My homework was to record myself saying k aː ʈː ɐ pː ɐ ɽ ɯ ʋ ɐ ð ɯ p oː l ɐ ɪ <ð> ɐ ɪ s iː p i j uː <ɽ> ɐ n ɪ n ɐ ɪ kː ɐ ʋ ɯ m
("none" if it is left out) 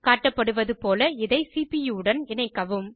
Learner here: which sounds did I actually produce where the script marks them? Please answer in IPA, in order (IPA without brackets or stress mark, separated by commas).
ð, ɽ